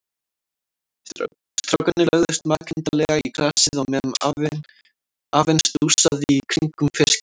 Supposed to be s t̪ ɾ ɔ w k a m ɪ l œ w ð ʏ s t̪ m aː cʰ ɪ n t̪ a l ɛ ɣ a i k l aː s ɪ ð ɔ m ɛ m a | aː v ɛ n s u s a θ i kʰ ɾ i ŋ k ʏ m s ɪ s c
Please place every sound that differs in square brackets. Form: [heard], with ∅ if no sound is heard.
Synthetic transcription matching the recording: s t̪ ɾ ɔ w k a [n] ɪ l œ [ɣ] ð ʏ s t̪ m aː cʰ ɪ n t̪ a l ɛ ɣ a i k l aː s ɪ ð ɔ m ɛ m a | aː v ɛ n s u s a [ð] i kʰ ɾ i ŋ k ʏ m [f] ɪ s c